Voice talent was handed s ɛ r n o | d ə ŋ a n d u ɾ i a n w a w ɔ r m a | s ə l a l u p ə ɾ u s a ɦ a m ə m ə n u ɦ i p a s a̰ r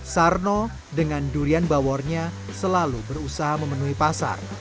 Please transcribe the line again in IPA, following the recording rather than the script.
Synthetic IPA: s a r n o | d ə ŋ a n d u ɾ i a n b a w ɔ r ɲ a | s ə l a l u b ə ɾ u s a ɦ a m ə m ə n u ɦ i p a s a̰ r